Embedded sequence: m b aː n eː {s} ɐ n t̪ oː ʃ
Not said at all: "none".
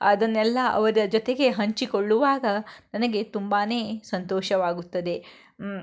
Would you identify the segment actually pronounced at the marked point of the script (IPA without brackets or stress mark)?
s